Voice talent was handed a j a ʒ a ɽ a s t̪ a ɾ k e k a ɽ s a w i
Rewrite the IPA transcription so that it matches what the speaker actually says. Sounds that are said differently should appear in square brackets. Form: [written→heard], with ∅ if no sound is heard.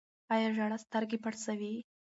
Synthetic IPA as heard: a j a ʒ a ɽ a s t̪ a ɾ [k→ɡ] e [k→p] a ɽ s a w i